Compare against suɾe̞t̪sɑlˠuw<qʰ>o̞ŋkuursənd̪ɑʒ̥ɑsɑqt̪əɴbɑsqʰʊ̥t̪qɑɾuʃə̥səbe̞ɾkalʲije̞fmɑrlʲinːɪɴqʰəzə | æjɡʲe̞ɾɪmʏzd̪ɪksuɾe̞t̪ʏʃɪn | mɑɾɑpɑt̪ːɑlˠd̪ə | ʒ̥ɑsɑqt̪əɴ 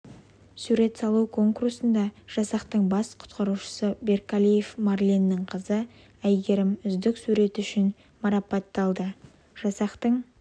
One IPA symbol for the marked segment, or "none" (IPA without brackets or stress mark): kʰ